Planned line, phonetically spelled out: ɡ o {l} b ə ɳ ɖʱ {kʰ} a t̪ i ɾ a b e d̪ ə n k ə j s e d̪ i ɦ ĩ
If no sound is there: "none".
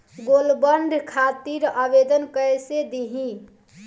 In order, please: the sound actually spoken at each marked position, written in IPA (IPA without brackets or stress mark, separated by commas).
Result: l, kʰ